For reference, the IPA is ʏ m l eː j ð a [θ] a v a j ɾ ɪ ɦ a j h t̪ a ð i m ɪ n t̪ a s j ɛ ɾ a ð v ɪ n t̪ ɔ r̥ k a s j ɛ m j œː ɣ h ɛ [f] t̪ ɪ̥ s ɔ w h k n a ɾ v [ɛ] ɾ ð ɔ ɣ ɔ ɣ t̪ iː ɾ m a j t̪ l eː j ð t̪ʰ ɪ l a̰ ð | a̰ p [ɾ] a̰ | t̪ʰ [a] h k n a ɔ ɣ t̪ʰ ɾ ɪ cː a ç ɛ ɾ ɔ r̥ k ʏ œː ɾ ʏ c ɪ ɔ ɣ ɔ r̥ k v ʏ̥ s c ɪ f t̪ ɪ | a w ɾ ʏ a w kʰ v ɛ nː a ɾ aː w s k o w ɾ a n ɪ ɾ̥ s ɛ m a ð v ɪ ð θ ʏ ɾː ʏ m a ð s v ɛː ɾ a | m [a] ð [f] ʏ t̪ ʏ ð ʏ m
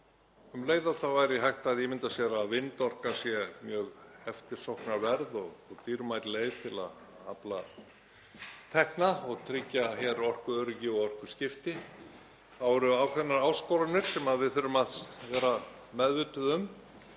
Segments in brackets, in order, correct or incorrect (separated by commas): correct, correct, correct, incorrect, incorrect, incorrect, incorrect